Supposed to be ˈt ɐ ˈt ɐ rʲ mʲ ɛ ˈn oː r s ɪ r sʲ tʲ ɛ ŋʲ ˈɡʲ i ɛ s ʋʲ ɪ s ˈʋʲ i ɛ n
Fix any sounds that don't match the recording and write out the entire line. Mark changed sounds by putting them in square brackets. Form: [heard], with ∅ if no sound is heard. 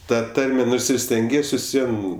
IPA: ˈt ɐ ˈt ɐ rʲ mʲ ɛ ˈn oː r s ɪ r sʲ tʲ ɛ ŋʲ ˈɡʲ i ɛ s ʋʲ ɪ s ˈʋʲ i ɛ n